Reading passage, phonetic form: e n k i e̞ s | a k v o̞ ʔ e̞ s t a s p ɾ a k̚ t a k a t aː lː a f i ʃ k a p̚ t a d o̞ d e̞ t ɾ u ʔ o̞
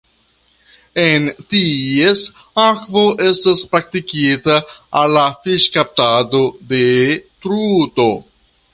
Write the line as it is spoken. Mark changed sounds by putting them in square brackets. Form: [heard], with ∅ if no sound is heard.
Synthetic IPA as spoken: e n [t] i e̞ s | a k v o̞ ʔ e̞ s t a s p ɾ a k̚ t [i] k [i] t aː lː a f i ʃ k a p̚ t a d o̞ d e̞ t ɾ u [t] o̞